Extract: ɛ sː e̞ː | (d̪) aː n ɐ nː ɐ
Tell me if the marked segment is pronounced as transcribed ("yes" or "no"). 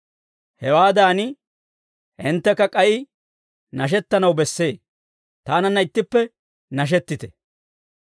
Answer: no